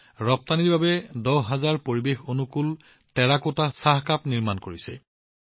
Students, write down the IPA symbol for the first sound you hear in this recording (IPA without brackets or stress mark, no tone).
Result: ɹ